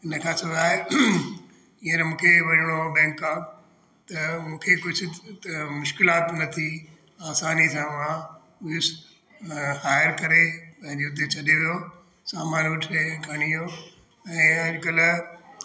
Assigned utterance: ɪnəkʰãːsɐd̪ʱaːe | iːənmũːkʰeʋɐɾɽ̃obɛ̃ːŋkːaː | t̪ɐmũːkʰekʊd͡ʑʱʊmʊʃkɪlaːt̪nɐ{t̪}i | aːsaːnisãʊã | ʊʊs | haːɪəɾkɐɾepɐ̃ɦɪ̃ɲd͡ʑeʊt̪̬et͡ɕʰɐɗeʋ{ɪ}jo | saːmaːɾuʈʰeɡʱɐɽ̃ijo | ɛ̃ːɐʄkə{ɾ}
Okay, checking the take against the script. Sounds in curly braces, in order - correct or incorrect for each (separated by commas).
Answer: incorrect, incorrect, incorrect